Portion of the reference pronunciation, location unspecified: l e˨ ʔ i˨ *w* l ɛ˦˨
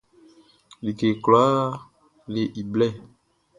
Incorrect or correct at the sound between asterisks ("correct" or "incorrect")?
incorrect